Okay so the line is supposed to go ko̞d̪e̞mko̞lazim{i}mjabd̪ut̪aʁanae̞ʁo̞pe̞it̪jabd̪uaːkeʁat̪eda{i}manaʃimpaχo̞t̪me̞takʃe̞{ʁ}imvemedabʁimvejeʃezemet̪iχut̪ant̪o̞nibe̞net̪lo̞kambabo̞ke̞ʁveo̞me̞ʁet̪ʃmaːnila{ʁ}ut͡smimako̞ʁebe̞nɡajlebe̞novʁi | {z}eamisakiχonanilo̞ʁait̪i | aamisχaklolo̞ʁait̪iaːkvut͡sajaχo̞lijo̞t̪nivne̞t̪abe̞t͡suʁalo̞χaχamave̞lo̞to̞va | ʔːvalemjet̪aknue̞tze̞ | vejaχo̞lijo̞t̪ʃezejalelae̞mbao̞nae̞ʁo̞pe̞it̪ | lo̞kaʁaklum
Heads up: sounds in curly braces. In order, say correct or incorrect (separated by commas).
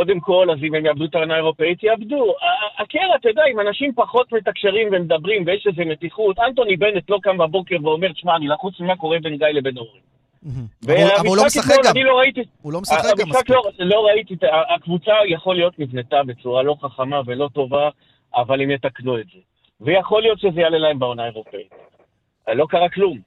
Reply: incorrect, correct, correct, incorrect, incorrect